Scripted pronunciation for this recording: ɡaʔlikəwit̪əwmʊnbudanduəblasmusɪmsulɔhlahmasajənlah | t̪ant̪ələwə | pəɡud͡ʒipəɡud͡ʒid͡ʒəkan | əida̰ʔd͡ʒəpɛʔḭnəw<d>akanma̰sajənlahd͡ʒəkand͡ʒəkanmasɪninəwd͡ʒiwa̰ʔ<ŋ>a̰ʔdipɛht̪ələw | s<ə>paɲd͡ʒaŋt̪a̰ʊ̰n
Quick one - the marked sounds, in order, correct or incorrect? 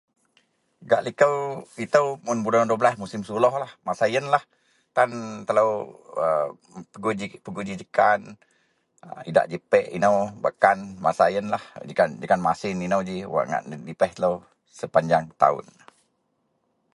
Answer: incorrect: b, correct, correct

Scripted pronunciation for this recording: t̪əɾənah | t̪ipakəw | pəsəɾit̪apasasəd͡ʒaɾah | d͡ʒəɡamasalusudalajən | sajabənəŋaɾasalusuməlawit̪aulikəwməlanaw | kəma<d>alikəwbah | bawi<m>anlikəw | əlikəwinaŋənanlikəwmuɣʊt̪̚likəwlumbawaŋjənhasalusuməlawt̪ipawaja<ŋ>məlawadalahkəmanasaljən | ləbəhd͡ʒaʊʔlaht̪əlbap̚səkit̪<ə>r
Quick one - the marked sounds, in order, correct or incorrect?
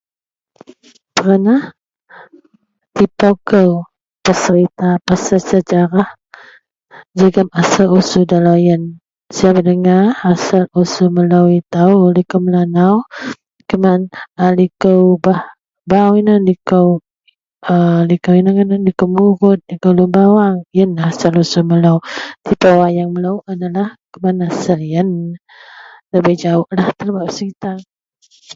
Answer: incorrect: n, incorrect: n, correct, incorrect: a

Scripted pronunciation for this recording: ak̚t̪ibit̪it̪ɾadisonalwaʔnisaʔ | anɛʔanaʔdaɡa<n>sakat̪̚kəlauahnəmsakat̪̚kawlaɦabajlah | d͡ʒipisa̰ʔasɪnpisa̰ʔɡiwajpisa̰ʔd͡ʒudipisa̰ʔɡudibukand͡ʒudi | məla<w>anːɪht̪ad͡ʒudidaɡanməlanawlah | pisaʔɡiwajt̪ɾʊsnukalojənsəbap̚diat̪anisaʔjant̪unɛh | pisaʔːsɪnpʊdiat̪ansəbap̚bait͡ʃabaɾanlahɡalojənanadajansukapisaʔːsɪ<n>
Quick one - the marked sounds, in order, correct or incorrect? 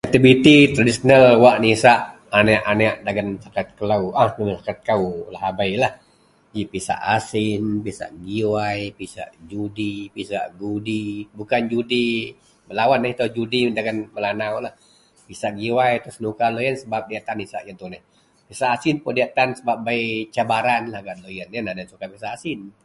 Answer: correct, correct, correct

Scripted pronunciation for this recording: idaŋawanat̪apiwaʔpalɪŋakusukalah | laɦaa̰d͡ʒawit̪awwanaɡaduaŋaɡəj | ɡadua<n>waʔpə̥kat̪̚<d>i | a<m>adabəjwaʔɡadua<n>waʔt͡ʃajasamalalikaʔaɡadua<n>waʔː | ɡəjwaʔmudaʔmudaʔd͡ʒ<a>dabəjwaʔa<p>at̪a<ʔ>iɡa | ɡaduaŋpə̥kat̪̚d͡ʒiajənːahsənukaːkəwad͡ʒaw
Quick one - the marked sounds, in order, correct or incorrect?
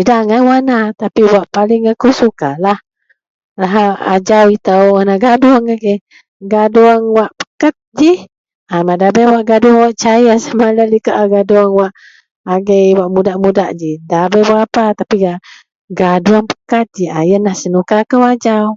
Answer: incorrect: ŋ, incorrect: d͡ʒ, correct, incorrect: ŋ, incorrect: ŋ, incorrect: i, correct, incorrect: p

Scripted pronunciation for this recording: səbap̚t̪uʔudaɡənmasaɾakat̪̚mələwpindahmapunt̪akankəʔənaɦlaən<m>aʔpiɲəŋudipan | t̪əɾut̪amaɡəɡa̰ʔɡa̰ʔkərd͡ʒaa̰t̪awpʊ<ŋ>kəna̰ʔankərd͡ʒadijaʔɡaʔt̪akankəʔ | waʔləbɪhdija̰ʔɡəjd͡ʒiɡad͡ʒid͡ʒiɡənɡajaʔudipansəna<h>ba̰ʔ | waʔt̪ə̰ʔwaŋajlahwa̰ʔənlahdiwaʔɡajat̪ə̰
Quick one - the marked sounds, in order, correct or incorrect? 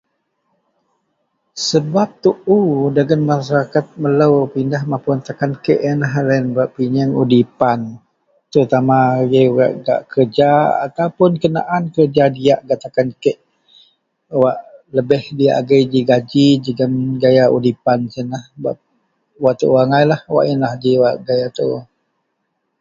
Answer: incorrect: b, incorrect: n, correct

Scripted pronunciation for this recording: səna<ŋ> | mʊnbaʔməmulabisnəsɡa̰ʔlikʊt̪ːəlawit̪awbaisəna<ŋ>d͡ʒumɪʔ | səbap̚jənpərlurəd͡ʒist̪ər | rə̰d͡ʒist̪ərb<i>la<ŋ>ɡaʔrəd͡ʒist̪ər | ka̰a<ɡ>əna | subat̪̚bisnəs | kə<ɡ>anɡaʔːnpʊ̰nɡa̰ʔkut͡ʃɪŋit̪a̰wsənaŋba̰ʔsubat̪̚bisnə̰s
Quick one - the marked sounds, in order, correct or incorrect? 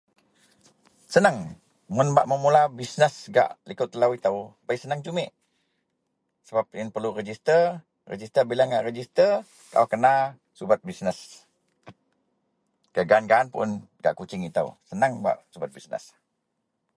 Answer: correct, correct, correct, correct, incorrect: k, correct

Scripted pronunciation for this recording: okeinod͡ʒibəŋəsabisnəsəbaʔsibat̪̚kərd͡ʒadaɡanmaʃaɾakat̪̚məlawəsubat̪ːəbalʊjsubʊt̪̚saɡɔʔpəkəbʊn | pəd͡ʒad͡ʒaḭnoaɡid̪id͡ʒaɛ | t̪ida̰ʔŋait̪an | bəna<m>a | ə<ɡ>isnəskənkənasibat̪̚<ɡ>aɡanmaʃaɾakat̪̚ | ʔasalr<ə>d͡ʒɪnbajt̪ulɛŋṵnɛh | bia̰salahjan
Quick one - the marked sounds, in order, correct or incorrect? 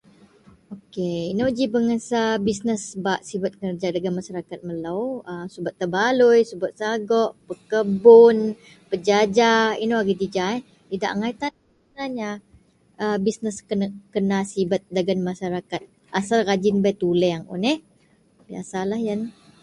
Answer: incorrect: ɲ, incorrect: b, incorrect: d, incorrect: a

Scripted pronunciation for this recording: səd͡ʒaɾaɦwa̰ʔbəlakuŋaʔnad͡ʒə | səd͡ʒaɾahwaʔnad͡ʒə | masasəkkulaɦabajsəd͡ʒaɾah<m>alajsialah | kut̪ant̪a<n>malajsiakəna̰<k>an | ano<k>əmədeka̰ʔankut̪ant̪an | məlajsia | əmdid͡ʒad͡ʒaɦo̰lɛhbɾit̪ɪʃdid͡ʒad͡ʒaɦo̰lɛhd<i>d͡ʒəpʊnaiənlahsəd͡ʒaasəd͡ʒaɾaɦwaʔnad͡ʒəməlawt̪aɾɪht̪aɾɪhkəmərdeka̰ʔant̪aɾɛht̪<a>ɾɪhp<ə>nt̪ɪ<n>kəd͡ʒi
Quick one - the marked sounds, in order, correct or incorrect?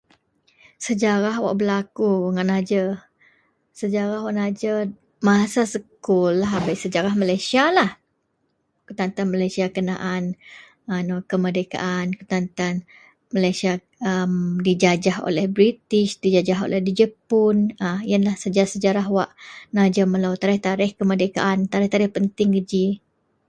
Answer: correct, correct, incorrect: ʔ, correct, correct, correct, correct, incorrect: ŋ

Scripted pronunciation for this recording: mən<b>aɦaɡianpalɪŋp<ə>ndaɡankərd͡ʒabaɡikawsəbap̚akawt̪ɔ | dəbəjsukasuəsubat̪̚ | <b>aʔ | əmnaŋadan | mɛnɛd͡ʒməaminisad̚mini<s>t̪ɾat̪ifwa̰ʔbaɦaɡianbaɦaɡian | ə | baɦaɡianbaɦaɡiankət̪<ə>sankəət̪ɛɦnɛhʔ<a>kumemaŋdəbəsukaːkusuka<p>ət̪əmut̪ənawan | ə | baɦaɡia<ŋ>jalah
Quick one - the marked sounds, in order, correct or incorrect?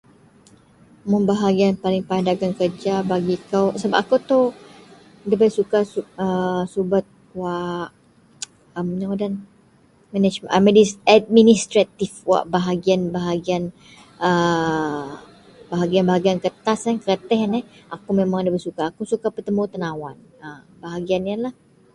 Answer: correct, incorrect: a, incorrect: w, correct, incorrect: a, correct, correct, incorrect: n

